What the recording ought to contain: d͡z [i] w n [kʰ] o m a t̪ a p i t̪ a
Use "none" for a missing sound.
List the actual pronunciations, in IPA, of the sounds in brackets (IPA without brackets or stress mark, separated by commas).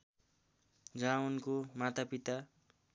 a, k